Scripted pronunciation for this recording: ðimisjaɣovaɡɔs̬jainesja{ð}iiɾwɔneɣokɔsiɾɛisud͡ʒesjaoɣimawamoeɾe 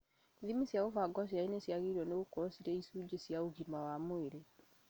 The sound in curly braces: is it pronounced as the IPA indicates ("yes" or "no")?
no